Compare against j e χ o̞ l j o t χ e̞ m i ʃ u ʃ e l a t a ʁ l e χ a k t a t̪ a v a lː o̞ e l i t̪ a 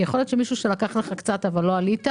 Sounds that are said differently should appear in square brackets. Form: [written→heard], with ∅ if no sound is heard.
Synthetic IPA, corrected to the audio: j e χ o̞ l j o t [χ→ʃ] e̞ m i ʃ u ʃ e l a [t→k] a [ʁ→χ] l e χ a k [t→t͡s] a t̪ a v a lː o̞ [e→a] l i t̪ a